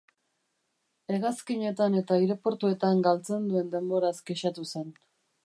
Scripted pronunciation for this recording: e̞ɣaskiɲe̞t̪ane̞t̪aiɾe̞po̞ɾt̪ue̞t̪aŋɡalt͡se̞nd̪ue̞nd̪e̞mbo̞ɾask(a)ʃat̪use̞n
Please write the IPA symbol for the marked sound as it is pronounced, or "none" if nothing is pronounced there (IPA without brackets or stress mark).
e